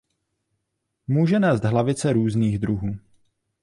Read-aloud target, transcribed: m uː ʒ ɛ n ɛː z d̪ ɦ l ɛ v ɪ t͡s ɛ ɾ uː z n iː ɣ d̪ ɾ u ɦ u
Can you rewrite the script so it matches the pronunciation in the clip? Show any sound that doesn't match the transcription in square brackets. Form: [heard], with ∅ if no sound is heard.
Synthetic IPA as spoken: m uː ʒ ɛ n ɛː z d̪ ɦ l [a] v ɪ t͡s ɛ ɾ uː z n iː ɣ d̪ ɾ u ɦ [uː]